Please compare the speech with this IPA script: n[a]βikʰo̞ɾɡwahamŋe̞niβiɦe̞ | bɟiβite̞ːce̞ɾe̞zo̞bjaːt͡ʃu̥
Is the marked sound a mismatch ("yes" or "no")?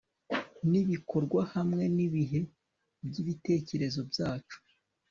yes